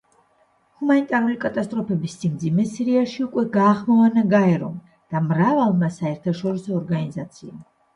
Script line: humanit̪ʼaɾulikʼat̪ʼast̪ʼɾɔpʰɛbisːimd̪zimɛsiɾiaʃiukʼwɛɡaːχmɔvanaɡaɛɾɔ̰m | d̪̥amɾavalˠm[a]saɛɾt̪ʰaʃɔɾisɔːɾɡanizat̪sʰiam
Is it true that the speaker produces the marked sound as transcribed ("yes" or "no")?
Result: yes